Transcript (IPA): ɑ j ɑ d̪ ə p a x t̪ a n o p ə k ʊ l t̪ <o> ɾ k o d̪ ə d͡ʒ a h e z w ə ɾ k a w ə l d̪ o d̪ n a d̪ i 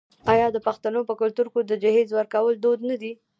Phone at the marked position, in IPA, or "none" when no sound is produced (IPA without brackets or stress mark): u